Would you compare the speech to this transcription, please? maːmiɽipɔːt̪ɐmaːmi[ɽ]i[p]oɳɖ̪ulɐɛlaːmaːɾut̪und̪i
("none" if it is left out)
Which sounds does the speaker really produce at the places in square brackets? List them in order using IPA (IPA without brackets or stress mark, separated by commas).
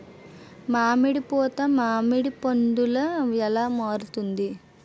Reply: ɽ, p